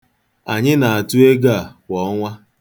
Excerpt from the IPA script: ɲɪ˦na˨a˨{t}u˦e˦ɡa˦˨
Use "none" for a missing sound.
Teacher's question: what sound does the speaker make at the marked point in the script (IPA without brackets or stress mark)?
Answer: t